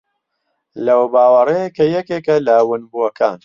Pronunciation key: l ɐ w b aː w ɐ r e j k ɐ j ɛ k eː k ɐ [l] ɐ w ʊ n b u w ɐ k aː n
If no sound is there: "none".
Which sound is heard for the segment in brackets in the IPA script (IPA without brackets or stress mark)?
l